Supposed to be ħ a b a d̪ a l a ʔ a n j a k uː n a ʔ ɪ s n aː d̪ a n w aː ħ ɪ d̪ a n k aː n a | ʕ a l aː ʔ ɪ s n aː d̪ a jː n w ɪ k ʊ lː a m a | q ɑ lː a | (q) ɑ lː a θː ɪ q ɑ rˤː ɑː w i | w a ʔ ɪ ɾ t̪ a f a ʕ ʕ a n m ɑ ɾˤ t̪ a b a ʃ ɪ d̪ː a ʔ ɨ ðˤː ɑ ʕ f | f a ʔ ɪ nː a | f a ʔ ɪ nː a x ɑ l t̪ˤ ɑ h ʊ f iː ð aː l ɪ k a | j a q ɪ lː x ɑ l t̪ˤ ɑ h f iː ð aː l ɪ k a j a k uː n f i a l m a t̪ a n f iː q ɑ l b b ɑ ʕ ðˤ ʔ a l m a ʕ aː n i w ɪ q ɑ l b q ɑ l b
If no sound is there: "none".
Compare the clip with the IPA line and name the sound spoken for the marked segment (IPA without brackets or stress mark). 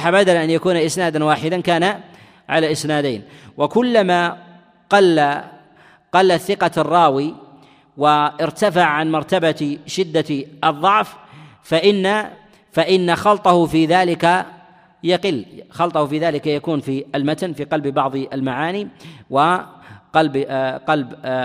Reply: q